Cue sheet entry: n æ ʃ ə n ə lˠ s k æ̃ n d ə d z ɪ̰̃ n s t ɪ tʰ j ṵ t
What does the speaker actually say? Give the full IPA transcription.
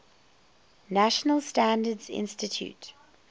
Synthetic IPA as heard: n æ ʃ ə n ə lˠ s t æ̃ n d ə d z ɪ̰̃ n s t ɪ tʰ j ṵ t